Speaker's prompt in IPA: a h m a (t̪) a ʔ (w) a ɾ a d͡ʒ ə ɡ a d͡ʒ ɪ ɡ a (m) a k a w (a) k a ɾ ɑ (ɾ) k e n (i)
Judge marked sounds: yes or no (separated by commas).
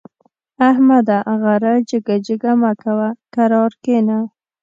no, no, yes, yes, yes, no